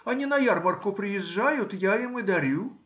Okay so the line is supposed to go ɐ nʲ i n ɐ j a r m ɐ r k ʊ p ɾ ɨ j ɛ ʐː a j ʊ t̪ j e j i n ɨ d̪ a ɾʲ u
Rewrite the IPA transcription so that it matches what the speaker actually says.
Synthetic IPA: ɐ nʲ i n ɐ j a r m ɐ r k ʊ p ɾ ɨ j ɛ ʐː a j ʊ t̪ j a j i m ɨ d̪ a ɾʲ u

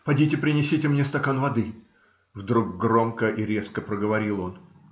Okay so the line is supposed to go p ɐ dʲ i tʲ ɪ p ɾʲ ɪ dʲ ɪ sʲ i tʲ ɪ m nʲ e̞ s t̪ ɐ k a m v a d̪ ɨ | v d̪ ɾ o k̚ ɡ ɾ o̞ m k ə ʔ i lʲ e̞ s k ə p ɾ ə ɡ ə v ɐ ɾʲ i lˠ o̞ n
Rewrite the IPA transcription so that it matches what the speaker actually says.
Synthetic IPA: p ɐ dʲ i tʲ ɪ p ɾʲ ɪ nʲ ɪ sʲ i tʲ ɪ m nʲ e̞ s t̪ ɐ k a n v ɐ d̪ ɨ | v d̪ ɾ u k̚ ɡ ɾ o̞ m k ə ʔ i ɾʲ e̞ s k ə p ɾ ə ɡ ə v ɐ ɾʲ i lˠ o̞ n

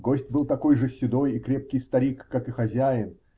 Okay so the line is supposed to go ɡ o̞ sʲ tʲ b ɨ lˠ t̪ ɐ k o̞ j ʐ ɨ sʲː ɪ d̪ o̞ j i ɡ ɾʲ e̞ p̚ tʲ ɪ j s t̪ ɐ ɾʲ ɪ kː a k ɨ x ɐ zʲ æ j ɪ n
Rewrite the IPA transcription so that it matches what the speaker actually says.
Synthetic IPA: ɡ o̞ sʲ tʲ b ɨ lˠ t̪ ɐ k o̞ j ʐ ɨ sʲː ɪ d̪ o̞ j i k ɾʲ e̞ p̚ kʲ ɪ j s t̪ ɐ ɾʲ i kː a k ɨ x ɐ zʲ æ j ɪ n

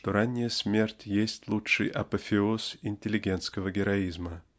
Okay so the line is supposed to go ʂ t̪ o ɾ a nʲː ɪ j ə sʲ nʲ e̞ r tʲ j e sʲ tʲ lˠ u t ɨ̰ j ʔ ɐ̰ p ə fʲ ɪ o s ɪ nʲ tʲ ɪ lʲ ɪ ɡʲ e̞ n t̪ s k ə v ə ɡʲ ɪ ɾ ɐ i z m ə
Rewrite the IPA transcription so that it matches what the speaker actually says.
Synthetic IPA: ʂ t̪ o ɾ a nʲː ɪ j ə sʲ mʲ e̞ r tʲ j e sʲ tʲ lˠ u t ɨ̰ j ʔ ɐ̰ p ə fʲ ɪ o s ɪ nʲ tʲ ɪ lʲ ɪ ɡʲ e̞ n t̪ s k ə v ə ɡʲ ɪ ɾ ɐ i z m ə

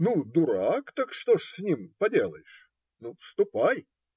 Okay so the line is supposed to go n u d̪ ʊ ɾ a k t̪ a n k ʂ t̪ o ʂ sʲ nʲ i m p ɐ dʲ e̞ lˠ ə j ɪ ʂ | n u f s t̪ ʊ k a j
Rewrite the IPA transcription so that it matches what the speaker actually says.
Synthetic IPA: n u d̪ ʊ ɾ a k t̪ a k ʂ t̪ o ʂ sʲ nʲ i m p ɐ dʲ e̞ lˠ ə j ɪ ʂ | n u f s t̪ ʊ p a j

